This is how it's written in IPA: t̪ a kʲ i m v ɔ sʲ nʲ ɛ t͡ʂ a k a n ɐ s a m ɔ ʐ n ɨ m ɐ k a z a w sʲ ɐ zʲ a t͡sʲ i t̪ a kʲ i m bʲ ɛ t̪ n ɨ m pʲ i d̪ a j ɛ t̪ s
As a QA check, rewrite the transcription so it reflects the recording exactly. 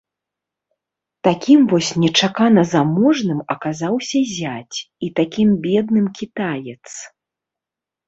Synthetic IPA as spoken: t̪ a kʲ i m v ɔ sʲ nʲ ɛ t͡ʂ a k a n ɐ z a m ɔ ʐ n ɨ m ɐ k a z a w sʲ ɐ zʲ a t͡sʲ i t̪ a kʲ i m bʲ ɛ d̪ n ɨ m kʲ i t̪ a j ɛ t̪ s

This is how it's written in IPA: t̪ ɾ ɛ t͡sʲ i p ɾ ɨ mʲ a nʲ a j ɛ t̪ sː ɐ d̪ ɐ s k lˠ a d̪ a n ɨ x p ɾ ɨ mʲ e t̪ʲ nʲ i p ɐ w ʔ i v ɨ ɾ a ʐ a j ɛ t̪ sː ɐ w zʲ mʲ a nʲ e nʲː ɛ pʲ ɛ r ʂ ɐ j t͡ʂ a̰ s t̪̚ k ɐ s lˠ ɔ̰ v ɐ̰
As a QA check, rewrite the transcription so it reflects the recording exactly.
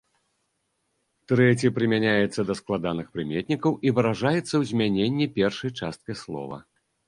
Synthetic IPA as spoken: t̪ ɾ ɛ t͡sʲ i p ɾ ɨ mʲ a nʲ a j ɛ t̪ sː ɐ d̪ ɐ s k lˠ a d̪ a n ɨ x p ɾ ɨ mʲ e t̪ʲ nʲ i k ɐ w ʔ i v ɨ ɾ a ʐ a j ɛ t̪ sː ɐ w zʲ mʲ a nʲ e nʲː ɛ pʲ ɛ r ʂ ɐ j t͡ʂ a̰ s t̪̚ k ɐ s lˠ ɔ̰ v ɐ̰

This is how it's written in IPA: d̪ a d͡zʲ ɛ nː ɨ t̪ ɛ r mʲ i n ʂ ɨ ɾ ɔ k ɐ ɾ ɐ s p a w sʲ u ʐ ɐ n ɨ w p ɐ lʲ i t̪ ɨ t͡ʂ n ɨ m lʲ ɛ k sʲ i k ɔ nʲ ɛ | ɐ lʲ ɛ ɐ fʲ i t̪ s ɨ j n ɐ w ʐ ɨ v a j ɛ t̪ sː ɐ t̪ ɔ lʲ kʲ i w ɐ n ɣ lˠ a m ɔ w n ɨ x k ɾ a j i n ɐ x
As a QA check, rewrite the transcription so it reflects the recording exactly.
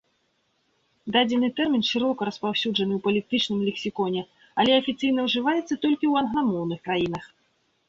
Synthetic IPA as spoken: d̪ a d͡zʲ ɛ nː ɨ t̪ ɛ r mʲ i n ʂ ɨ ɾ ɔ k ɐ ɾ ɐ s p a w sʲ u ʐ ɐ n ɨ w p ɐ lʲ i t̪ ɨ t͡ʂ n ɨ m lʲ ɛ k sʲ i k ɔ nʲ ɛ | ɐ lʲ ɛ ɐ fʲ i t̪ s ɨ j n ɐ w ʐ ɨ v a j ɛ t̪ sː ɐ t̪ ɔ lʲ kʲ i w ɐ n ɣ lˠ a m ɔ w n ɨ x k ɾ a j i n ɐ x

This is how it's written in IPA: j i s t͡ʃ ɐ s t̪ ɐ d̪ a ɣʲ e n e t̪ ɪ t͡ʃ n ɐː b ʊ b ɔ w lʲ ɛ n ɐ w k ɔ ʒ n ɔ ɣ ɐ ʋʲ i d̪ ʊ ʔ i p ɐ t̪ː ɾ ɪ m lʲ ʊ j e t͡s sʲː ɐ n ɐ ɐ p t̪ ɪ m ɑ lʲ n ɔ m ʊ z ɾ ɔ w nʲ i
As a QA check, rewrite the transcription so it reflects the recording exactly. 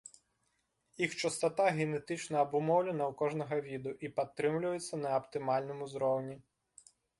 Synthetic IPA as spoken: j i x t͡ʃ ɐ s t̪ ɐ t̪ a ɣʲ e n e t̪ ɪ t͡ʃ n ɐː b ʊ m ɔ w lʲ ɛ n ɐ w k ɔ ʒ n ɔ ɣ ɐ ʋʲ i d̪ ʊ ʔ i p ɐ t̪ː ɾ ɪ m lʲ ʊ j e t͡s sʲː ɐ n ɐ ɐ p t̪ ɪ m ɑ lʲ n ɔ m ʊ z ɾ ɔ w nʲ i

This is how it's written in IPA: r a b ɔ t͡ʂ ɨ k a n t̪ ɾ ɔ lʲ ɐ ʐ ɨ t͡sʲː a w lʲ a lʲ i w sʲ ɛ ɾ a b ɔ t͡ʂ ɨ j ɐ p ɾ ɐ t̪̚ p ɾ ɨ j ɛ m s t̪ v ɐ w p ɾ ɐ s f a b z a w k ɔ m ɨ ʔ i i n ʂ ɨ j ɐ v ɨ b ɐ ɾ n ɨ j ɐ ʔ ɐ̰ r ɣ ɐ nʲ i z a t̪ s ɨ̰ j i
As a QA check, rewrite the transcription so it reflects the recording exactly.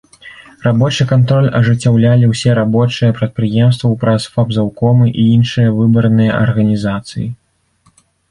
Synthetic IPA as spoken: r a b ɔ t͡ʂ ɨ k a n t̪ ɾ ɔ lʲ ɐ ʐ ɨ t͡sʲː a w lʲ a lʲ i w sʲ ɛ ɾ a b ɔ t͡ʂ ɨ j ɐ p ɾ ɐ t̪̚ p ɾ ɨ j ɛ m s t̪ v ɐ w p ɾ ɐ s f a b z a w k ɔ m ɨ ʔ i i n ʂ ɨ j ɐ v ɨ b ɐ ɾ n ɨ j ɐ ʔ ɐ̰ r ɣ ɐ nʲ i z a t̪ s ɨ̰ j i

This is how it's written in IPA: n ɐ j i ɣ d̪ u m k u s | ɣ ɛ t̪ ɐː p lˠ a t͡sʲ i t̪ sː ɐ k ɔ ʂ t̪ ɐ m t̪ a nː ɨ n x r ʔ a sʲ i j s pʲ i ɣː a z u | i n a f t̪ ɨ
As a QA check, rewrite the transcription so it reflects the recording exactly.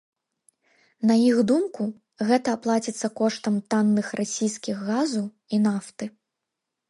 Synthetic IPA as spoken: n ɐ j i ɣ d̪ u m k u | ɣ ɛ t̪ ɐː p lˠ a t͡sʲ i t̪ sː ɐ k ɔ ʂ t̪ ɐ m t̪ a nː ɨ x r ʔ a sʲ i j s kʲ i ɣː a z u | i n a f t̪ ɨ

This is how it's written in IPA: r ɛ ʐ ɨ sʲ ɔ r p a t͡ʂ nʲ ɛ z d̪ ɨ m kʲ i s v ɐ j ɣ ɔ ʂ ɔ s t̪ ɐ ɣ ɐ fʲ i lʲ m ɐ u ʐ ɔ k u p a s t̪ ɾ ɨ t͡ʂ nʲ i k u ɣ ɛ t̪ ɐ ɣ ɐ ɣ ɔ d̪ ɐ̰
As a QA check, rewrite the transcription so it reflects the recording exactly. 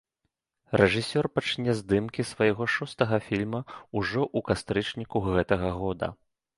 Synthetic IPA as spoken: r ɛ ʐ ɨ sʲ ɔ r p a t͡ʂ nʲ ɛ z d̪ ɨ m kʲ i s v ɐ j ɣ ɔ ʂ ɔ s t̪ ɐ ɣ ɐ fʲ i lʲ m ɐ u ʐ ɔ ʔ u k a s t̪ ɾ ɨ t͡ʂ nʲ i k u ɣ ɛ t̪ ɐ ɣ ɐ ɣ ɔ d̪ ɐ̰

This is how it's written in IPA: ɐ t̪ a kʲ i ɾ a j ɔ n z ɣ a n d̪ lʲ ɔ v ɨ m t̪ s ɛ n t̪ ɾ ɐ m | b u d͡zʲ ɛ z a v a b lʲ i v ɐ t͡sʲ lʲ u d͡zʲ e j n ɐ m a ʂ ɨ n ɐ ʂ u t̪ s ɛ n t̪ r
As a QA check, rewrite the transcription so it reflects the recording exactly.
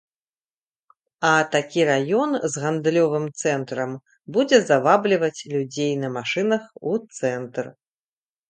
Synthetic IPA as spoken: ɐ t̪ a kʲ i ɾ a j ɔ n z ɣ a n d̪ lʲ ɔ v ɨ m t̪ s ɛ n t̪ ɾ ɐ m | b u d͡zʲ ɛ z a v a b lʲ i v ɐ t͡sʲ lʲ u d͡zʲ e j n ɐ m a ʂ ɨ n ɐ x u t̪ s ɛ n t̪ r

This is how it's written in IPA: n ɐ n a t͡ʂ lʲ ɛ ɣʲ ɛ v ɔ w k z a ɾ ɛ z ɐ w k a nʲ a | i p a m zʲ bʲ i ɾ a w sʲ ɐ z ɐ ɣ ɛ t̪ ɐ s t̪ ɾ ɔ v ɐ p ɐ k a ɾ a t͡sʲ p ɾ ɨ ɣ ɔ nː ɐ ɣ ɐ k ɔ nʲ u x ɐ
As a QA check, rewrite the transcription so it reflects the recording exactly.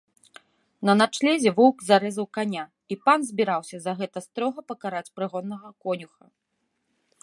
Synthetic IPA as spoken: n ɐ n a t͡ʂ lʲ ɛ zʲ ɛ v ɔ w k z a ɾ ɛ z ɐ w k a nʲ a | i p a n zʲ bʲ i ɾ a w sʲ ɐ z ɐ ɣ ɛ t̪ ɐ s t̪ ɾ ɔ ɣ ɐ p ɐ k a ɾ a t͡sʲ p ɾ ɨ ɣ ɔ nː ɐ ɣ ɐ k ɔ nʲ u x ɐ

